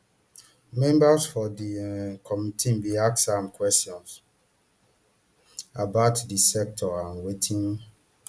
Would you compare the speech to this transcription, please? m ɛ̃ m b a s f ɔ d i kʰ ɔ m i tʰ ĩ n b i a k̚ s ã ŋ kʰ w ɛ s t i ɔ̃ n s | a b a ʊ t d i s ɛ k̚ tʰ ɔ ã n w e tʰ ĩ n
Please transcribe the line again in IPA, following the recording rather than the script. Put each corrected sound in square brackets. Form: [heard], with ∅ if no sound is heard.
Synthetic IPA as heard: m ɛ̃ m b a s f ɔ d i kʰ ɔ m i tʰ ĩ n b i a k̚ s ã [m] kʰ w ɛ s t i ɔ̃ n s | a b a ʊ t d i s ɛ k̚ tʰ ɔ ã n w e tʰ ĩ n